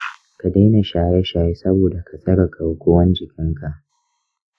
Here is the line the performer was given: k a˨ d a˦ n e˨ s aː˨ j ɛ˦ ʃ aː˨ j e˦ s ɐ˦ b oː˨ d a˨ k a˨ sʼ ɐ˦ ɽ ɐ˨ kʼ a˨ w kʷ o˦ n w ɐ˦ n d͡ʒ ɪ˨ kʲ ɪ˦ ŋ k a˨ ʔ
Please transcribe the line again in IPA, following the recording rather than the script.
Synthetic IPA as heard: k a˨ d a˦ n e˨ ʃ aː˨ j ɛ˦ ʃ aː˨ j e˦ s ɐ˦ b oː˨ d a˨ k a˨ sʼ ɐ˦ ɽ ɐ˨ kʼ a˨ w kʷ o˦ w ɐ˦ n d͡ʒ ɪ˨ kʲ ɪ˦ ŋ k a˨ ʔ